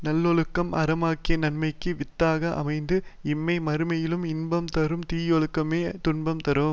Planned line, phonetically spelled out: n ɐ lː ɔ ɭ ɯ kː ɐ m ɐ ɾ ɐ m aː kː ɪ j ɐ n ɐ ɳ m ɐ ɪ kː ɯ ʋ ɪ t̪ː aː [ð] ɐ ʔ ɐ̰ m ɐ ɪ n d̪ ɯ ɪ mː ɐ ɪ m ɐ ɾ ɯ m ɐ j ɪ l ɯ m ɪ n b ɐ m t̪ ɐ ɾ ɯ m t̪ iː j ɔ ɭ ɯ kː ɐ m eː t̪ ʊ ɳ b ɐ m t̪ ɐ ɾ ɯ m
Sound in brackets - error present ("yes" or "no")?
yes